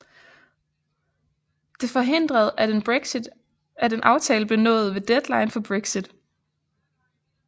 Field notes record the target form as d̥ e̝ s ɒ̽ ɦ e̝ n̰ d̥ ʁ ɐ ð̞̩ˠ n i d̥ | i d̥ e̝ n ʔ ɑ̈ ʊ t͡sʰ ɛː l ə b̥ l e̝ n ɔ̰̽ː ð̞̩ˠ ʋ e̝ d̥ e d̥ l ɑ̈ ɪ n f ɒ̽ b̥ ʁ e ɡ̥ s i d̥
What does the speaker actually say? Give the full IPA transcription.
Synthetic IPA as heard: d̥ e̝ f ɒ̽ ɦ e̝ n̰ d̥ ʁ ɐ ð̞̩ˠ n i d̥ | æ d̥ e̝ n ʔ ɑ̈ ʊ t͡sʰ ɛː l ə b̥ l e̝ n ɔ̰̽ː ð̞̩ˠ ʋ e̝ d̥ e d̥ l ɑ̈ ɪ n f ɒ̽ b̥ ʁ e ɡ̥ s i d̥